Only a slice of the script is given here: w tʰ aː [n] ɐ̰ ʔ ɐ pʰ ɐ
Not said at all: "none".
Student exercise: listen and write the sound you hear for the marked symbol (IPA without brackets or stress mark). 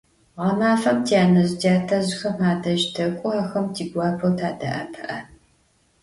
d